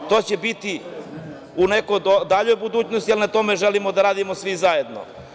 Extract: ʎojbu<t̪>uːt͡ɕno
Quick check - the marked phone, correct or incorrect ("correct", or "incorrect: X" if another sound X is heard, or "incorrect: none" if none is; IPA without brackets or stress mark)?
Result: incorrect: d̪